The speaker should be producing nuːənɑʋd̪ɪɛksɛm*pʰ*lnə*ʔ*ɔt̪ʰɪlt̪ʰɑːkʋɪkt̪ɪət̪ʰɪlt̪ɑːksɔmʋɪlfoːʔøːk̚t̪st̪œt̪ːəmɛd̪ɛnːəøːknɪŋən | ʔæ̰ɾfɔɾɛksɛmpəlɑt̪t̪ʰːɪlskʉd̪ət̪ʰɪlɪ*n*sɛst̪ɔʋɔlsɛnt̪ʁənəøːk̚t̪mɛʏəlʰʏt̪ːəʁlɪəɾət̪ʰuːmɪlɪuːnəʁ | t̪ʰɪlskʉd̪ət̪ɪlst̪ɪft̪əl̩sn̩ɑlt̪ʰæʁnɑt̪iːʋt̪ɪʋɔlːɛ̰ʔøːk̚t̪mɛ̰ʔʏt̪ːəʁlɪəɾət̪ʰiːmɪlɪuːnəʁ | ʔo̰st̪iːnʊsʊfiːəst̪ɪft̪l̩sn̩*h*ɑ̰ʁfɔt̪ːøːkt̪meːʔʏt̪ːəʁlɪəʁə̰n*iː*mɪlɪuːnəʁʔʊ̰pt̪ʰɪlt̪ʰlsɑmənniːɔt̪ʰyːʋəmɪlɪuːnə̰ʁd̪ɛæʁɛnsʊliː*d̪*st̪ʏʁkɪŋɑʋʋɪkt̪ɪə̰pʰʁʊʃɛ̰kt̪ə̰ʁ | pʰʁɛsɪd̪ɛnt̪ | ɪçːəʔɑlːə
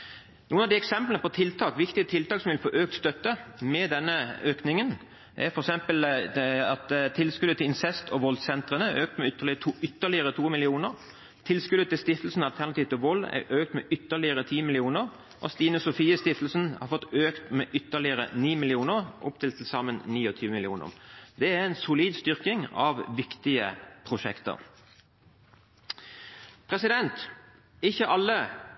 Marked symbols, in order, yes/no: no, no, yes, yes, yes, yes

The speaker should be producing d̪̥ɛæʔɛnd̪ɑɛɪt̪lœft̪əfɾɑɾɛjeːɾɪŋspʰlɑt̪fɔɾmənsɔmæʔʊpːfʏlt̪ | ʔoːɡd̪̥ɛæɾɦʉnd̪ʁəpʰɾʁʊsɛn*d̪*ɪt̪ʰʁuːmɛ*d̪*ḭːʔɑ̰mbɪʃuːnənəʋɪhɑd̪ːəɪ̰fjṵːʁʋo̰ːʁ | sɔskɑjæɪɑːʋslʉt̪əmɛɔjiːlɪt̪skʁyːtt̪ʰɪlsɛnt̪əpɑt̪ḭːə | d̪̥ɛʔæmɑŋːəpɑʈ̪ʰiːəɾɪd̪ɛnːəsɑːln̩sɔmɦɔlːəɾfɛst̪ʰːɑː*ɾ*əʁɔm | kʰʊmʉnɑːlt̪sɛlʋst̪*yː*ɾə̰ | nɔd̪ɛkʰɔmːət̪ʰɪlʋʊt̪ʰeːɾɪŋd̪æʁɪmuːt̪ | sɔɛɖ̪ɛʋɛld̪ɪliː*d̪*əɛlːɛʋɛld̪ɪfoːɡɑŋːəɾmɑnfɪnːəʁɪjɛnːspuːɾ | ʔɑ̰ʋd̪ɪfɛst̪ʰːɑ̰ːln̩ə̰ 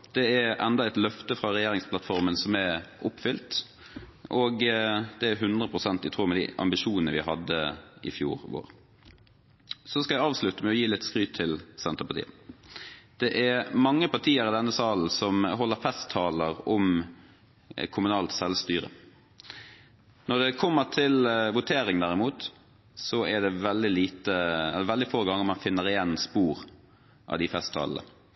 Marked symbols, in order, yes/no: no, yes, no, yes, no

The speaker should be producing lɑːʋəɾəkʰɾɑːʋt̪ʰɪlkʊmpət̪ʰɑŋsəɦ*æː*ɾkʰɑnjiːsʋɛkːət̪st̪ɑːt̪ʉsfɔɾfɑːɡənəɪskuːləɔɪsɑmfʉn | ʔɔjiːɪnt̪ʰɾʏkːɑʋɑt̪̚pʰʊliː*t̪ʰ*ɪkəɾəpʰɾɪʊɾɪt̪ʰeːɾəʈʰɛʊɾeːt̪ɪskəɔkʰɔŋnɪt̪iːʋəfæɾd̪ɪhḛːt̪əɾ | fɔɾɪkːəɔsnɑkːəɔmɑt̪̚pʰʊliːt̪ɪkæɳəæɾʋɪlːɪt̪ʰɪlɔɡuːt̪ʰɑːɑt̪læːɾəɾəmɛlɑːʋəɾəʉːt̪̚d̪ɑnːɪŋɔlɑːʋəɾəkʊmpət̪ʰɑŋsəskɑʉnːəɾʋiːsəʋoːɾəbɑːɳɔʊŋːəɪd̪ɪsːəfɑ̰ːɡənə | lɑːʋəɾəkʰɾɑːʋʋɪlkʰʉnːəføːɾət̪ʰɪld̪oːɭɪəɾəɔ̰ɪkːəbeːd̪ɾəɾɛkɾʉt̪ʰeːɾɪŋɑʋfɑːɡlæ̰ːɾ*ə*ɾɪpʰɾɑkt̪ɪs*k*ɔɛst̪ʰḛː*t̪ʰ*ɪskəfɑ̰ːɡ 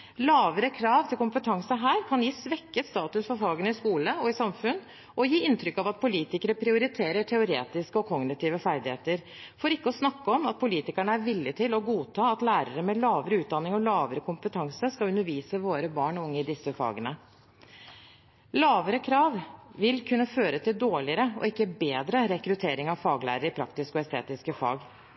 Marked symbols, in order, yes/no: yes, no, yes, yes, no

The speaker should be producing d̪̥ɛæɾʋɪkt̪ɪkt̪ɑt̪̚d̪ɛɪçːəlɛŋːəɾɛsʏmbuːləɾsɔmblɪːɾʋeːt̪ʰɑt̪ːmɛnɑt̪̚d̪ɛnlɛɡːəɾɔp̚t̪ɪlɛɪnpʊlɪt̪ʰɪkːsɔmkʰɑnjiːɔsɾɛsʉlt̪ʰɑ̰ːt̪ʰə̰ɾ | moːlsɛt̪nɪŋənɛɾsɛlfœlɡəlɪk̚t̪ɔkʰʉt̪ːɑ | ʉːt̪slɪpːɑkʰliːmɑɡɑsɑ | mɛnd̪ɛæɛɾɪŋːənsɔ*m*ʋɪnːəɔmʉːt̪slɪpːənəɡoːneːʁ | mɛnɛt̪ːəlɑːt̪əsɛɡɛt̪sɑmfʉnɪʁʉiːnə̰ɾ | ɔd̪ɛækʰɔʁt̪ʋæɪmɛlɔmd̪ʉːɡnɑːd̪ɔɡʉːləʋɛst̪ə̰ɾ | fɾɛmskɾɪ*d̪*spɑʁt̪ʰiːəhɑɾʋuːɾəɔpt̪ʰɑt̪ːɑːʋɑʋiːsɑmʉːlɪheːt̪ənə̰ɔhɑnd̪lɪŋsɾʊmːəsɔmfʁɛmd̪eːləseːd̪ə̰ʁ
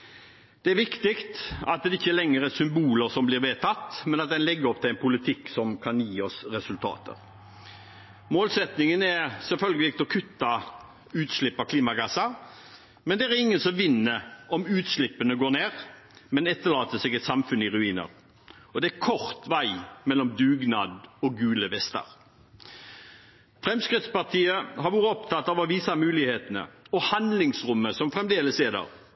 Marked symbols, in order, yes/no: yes, no

